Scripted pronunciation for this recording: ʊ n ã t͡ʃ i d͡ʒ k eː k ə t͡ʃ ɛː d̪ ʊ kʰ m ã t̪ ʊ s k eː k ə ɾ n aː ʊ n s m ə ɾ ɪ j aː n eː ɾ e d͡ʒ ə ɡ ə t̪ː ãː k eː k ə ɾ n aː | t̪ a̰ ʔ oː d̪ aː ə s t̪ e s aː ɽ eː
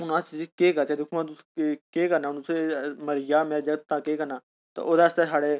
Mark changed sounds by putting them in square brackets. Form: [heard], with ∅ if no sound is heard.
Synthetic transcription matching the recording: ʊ n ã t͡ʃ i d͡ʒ k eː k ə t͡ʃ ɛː d̪ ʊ kʰ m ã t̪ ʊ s k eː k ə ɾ n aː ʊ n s m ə ɾ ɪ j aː [m] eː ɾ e d͡ʒ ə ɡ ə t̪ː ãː k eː k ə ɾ n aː | t̪ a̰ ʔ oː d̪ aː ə s t̪ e s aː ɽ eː